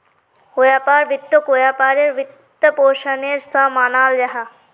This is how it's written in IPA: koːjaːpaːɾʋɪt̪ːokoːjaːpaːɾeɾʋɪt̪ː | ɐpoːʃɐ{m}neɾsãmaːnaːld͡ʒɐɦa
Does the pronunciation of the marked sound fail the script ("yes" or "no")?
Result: yes